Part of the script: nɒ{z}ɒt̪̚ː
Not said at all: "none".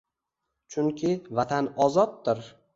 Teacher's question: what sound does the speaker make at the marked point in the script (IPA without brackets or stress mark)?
z